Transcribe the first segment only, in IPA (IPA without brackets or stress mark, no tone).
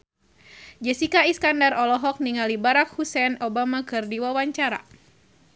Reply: d͡ʒ